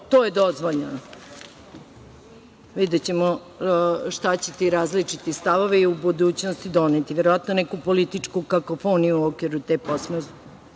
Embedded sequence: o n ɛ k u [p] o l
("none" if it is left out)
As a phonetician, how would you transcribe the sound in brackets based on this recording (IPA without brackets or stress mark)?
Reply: p